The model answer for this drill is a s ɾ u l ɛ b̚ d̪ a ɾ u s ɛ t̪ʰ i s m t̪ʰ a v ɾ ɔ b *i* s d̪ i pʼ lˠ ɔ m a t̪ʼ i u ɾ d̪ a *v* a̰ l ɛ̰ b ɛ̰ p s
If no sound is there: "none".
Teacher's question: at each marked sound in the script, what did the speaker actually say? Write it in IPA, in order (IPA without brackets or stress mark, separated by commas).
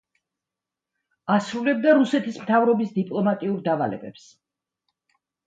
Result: i, v